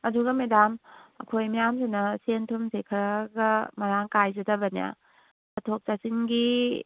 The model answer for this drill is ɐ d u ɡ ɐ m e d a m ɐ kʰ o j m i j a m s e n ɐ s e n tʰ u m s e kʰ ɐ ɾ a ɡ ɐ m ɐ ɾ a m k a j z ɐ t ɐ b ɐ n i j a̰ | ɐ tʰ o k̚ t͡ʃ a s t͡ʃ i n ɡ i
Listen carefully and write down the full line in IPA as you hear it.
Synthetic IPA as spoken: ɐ d u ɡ ɐ m e d a m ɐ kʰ o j m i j a m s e n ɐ s e n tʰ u m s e kʰ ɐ ɾ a ɡ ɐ m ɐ ɾ a ŋ k a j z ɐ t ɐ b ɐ n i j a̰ | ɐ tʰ o k̚ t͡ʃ a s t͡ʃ i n ɡ i